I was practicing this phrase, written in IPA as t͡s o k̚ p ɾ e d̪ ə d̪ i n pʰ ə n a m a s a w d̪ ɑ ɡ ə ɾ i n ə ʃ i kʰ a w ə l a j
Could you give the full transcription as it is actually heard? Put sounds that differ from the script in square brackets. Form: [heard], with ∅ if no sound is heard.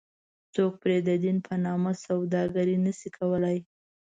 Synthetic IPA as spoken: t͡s o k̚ p ɾ e d̪ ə d̪ i n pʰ ə n [ɑ] m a s a w d̪ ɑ ɡ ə ɾ i n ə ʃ i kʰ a w ə l a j

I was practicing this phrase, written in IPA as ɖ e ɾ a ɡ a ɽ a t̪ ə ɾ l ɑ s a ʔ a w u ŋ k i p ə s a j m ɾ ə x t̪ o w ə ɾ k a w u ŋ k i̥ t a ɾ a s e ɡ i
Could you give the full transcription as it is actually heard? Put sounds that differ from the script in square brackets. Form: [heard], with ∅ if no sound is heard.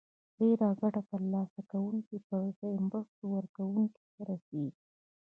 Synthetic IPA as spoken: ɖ e ɾ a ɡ a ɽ a t̪ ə ɾ l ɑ s a [k] a w u ŋ k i p ə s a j m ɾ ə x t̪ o w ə ɾ k a w u ŋ k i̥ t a ɾ a s e ɡ i

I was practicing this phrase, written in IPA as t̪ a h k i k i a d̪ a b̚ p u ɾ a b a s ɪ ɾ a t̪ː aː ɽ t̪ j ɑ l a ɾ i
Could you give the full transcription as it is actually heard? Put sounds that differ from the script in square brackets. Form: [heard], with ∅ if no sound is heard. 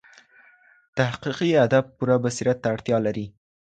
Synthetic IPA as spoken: t̪ a h [q] i [q] i a d̪ a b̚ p u ɾ a b a s [i] ɾ a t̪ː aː ɽ t̪ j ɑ l a ɾ i

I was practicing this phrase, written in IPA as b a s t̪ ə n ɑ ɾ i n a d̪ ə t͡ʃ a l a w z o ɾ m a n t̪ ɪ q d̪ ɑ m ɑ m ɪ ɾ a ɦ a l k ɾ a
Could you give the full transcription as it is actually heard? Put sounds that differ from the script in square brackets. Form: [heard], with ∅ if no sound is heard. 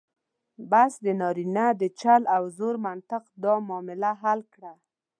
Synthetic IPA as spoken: b a s [d̪] ə n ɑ ɾ i n a d̪ ə t͡ʃ a l a w z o ɾ m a n t̪ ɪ q d̪ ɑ m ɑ m ɪ [l] a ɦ a l k [ɽ] a

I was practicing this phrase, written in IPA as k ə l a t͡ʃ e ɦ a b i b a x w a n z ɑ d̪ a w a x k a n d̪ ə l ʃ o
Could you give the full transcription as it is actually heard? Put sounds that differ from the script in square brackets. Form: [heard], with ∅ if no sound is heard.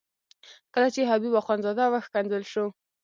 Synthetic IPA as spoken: k ə l a t͡ʃ e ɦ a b i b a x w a n z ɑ d̪ a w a x k a n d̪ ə l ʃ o

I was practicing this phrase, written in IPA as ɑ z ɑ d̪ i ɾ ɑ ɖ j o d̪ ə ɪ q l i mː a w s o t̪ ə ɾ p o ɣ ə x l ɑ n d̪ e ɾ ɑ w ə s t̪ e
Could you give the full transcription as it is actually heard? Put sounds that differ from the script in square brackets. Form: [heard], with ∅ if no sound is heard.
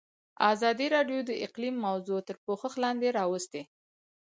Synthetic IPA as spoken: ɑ z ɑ d̪ i ɾ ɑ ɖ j o d̪ ə ɪ q l i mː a w [z] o t̪ ə ɾ p o [x] ə x l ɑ n d̪ e ɾ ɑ w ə s t̪ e

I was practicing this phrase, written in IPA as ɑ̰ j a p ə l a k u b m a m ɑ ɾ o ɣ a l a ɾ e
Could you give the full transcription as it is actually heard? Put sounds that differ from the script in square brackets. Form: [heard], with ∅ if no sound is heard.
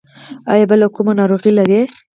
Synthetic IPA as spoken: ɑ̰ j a [b] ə l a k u [∅] m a [n] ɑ ɾ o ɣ [i] l a ɾ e

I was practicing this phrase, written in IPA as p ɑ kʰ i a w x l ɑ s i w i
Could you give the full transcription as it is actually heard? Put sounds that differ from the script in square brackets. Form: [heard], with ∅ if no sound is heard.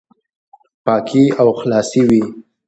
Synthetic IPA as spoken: p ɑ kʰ i a w x l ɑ s i w i

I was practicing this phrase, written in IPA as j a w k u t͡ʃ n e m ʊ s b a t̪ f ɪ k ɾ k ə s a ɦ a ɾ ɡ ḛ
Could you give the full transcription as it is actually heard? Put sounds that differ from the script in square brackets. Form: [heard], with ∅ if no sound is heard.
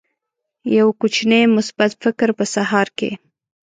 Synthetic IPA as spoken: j a w k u t͡ʃ n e m ʊ s b a t̪ f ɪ k ɾ [p] ə s a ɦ [ɑ] ɾ [k] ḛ

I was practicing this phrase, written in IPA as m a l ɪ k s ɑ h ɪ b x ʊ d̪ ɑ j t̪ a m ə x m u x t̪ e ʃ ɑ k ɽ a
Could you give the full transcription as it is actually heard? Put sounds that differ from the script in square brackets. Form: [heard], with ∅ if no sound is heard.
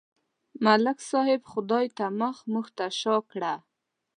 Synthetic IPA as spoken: m a l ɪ k s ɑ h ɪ b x ʊ d̪ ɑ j t̪ a m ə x m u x t̪ [a] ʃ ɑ k ɽ a

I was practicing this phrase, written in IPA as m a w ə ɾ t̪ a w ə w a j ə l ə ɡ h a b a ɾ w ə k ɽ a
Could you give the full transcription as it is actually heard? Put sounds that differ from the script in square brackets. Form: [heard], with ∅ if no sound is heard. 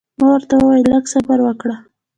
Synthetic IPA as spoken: m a w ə ɾ t̪ a w ə w a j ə l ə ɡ [s] a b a ɾ w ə k ɽ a

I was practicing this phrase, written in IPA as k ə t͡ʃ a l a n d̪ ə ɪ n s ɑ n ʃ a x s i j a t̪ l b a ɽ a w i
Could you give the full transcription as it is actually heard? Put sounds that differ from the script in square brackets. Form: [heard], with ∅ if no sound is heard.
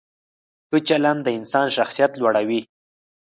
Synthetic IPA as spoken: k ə t͡ʃ a l a n d̪ ə ɪ n s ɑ n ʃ a x s i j a t̪ l [w] a ɽ a w i

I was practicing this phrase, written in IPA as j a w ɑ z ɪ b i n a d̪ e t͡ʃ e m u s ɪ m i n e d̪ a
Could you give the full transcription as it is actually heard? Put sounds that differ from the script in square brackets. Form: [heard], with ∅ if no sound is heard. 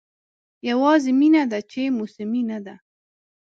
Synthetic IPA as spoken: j a w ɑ z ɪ [m] i n a d̪ [a] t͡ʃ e m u s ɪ m i n [a] d̪ a

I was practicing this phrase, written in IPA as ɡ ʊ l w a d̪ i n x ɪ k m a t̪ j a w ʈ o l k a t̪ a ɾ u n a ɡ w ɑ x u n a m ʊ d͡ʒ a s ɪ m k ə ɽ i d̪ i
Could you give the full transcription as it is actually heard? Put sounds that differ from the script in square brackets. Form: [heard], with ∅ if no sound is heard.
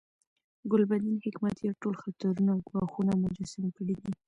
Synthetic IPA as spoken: ɡ ʊ l [b] a d̪ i n [h] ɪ k m a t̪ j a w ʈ o l [x] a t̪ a ɾ u n a ɡ w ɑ x u n a m ʊ d͡ʒ a s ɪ m k ə ɽ i d̪ i

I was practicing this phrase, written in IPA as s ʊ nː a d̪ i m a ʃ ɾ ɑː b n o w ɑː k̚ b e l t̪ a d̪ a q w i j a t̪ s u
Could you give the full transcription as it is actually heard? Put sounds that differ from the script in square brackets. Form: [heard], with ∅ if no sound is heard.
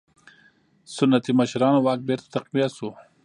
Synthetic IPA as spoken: s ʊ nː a [t̪] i m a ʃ ɾ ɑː [∅] n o w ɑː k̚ b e [ɾ] t̪ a [t̪] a q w i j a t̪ s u

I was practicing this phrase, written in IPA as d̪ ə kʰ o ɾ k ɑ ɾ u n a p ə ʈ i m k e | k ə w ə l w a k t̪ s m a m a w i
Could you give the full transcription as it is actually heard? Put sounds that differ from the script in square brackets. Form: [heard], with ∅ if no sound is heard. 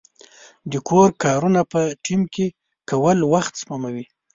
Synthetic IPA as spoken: d̪ ə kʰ o ɾ k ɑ ɾ u n a p ə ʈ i m k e | k [a] w ə l w a [x] t̪ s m a m a w i

